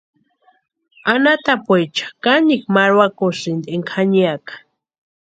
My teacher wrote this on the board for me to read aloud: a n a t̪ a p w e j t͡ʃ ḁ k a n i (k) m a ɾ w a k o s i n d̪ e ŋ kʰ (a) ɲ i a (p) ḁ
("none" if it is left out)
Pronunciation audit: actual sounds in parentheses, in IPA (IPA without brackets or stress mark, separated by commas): k, a, k